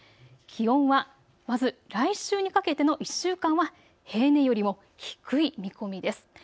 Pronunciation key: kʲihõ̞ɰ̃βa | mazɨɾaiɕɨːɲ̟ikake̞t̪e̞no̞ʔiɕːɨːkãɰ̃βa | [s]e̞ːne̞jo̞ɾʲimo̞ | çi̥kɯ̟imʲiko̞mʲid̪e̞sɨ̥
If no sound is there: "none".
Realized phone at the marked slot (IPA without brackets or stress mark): h